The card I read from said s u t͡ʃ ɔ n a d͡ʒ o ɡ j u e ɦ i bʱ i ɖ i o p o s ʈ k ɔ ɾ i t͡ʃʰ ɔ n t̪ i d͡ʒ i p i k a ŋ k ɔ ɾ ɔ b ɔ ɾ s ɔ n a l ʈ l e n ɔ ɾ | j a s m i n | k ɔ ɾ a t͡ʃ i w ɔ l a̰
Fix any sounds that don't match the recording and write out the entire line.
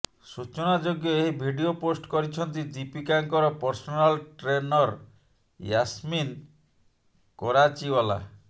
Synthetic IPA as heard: s u t͡ʃ ɔ n a d͡ʒ o ɡ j ɔ e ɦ i bʱ i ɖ i o p o s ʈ k ɔ ɾ i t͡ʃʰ ɔ n t̪ i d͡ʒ i p i k a ŋ k ɔ ɾ ɔ p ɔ ɾ s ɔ n a l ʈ ɾ e n ɔ ɾ | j a s m i n | k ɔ ɾ a t͡ʃ i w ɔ l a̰